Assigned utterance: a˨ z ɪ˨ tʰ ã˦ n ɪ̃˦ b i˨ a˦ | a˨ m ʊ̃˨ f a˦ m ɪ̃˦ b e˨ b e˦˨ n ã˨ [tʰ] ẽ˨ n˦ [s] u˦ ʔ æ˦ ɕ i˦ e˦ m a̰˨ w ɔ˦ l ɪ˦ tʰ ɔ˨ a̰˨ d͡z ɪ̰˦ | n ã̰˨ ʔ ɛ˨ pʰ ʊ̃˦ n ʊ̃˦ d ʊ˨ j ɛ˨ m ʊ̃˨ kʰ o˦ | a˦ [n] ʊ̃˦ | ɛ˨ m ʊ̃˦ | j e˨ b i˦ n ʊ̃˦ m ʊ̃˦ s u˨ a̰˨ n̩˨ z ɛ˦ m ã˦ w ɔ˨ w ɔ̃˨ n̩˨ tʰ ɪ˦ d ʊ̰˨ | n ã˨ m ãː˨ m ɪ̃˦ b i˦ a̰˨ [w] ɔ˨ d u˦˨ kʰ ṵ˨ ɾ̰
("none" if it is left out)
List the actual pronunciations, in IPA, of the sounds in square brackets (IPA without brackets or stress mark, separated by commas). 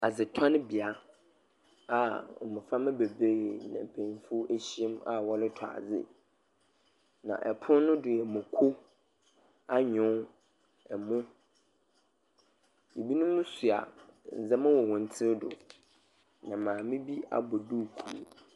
pʰ, f, ɲ, b